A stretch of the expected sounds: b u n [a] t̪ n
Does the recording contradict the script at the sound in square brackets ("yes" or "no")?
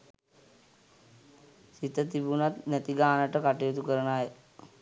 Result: no